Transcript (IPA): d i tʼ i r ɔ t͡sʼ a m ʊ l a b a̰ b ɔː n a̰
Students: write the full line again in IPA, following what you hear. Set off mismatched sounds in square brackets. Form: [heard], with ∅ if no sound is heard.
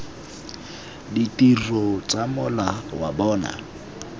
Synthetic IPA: d i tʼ i r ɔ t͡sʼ a m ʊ l a [w] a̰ b ɔː n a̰